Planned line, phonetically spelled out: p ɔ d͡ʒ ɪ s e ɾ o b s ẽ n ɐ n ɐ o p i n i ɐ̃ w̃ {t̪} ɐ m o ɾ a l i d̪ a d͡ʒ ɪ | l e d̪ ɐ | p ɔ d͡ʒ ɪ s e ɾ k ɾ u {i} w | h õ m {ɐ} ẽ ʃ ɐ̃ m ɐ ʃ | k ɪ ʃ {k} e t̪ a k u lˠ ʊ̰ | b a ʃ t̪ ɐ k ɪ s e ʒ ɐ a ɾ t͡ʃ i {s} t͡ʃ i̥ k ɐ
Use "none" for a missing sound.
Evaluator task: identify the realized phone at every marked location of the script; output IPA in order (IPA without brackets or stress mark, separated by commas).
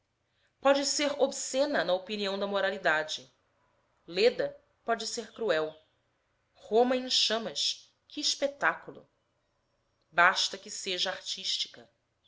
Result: d̪, ɛ, ɐ, p, ʃ